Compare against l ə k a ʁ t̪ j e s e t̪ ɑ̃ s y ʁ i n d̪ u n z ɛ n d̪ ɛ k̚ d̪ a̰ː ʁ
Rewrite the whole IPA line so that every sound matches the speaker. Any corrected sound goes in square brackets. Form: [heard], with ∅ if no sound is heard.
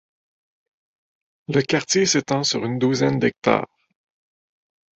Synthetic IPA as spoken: l ə k a ʁ t̪ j e s e t̪ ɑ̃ s y ʁ [y] n d̪ u [∅] z ɛ n d̪ ɛ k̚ [t̪] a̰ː ʁ